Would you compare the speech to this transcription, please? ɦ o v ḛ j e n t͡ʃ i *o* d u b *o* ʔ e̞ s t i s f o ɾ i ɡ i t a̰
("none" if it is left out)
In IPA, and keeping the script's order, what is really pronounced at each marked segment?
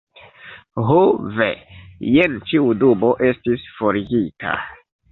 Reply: u, o

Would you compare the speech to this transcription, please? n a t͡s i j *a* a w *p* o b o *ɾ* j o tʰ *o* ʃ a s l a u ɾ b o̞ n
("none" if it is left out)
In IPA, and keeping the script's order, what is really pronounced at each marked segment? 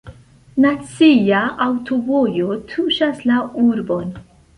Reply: a, t, none, u

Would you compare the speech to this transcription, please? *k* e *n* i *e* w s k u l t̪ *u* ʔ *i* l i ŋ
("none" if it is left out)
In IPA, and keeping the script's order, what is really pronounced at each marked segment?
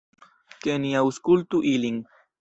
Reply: k, n, a, u, i

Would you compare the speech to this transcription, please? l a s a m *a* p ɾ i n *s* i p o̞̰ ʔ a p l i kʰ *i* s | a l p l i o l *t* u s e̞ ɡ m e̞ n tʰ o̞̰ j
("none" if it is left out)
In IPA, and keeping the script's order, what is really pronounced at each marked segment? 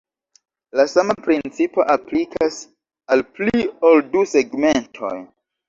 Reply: a, t͡s, a, d

